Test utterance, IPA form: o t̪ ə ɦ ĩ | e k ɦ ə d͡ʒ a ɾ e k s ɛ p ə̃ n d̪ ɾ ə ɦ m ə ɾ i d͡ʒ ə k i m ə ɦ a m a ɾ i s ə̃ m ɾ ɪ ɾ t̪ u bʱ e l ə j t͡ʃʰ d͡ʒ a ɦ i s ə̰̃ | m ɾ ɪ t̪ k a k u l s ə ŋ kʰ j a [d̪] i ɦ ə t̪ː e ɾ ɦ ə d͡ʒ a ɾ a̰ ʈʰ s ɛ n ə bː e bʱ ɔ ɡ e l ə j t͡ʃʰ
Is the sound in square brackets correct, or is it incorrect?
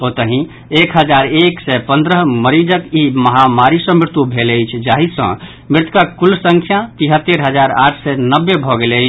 incorrect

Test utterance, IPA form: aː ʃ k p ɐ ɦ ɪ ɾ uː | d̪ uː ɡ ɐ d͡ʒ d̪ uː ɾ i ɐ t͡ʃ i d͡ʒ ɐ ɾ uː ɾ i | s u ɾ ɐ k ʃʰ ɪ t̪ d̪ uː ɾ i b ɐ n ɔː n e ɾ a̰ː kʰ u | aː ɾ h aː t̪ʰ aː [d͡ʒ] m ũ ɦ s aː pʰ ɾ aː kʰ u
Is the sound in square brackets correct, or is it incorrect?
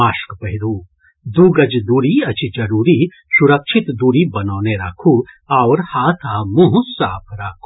incorrect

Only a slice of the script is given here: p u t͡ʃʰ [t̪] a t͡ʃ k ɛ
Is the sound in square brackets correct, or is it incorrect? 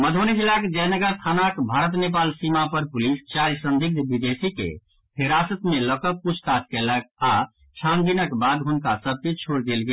correct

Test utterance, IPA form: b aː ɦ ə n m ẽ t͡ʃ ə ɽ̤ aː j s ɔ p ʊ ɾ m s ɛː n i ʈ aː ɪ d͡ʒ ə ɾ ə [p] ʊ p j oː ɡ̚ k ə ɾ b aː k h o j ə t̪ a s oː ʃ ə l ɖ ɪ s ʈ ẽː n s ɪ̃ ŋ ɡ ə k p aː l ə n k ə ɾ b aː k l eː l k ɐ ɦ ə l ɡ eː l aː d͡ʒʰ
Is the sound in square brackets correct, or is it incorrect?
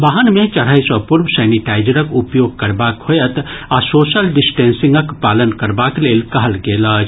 incorrect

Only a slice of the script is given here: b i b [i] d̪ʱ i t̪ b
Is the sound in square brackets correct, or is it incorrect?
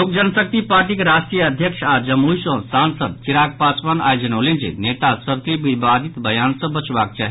incorrect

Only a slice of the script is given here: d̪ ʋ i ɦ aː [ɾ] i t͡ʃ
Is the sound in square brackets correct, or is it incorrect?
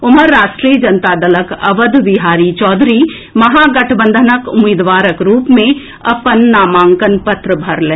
correct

